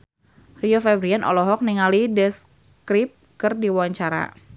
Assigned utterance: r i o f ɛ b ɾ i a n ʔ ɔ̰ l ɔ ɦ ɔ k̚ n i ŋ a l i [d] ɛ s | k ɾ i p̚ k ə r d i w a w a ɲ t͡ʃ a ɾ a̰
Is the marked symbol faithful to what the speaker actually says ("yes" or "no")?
yes